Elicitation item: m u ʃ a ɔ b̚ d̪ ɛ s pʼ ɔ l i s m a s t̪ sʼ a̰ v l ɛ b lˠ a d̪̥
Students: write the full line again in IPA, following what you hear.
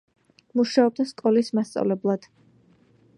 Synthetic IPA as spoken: m u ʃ a ɔ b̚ d̪ a s kʼ ɔ l i s m a s t̪ sʼ a̰ v l ɛ b lˠ a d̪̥